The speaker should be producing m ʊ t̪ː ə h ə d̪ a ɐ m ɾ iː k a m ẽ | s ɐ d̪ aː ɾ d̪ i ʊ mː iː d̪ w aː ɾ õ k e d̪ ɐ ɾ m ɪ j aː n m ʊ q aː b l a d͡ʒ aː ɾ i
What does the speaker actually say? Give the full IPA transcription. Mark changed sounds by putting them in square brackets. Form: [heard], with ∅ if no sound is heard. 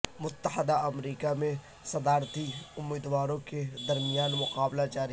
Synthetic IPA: m ʊ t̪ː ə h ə d̪ a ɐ m ɾ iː k a m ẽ | s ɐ d̪ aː ɾ [t̪] i ʊ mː iː d̪ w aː ɾ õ k e d̪ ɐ ɾ m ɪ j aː n m ʊ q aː b l a d͡ʒ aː ɾ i